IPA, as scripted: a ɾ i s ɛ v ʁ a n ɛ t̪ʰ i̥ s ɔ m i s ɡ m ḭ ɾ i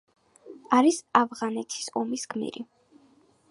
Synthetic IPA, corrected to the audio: a ɾ i s a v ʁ a n ɛ t̪ʰ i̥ s ɔ m i s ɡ m ḭ ɾ i